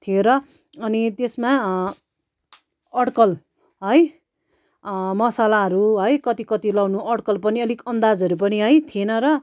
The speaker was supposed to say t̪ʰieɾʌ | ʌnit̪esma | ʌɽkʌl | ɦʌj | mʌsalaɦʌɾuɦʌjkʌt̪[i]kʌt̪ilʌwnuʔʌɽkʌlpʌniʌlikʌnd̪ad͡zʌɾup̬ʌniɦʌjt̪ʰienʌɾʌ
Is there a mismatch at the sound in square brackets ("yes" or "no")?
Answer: no